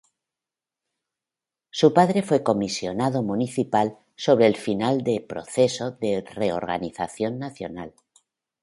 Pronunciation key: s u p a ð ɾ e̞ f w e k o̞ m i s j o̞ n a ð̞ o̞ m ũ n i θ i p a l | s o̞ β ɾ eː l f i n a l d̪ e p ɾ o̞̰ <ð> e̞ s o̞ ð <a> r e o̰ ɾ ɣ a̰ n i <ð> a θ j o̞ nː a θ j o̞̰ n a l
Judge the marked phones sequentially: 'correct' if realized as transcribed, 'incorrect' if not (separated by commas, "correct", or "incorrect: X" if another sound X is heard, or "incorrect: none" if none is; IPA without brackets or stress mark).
incorrect: θ, incorrect: e, incorrect: θ